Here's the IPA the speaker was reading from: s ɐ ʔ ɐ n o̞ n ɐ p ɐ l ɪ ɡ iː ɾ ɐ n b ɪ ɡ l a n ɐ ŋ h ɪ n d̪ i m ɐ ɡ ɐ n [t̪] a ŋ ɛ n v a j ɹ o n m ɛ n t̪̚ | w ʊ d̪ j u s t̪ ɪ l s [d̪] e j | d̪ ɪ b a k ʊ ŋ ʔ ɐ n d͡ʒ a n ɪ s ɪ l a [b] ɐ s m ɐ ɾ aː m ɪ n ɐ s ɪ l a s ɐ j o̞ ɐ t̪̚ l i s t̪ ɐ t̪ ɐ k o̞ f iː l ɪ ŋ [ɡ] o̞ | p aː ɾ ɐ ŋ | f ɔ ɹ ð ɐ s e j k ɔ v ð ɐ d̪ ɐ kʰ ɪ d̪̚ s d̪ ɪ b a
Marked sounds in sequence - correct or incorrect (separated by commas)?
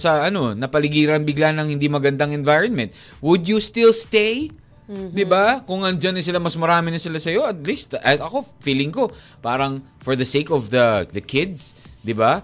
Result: incorrect, incorrect, incorrect, incorrect